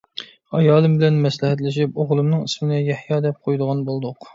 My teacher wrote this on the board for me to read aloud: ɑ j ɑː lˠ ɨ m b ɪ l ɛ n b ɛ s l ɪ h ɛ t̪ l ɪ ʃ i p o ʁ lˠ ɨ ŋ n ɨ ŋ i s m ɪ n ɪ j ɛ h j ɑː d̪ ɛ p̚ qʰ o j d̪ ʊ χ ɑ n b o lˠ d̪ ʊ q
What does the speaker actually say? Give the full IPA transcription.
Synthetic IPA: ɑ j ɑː lˠ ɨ m b ɪ l ɛ n m ɛ s l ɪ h ɛ t̪ l ɪ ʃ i p o ʁ lˠ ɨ m n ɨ ŋ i s m ɪ n ɪ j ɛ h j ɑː d̪ ɛ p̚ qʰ o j d̪ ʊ ʁ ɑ n b o lˠ d̪ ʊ q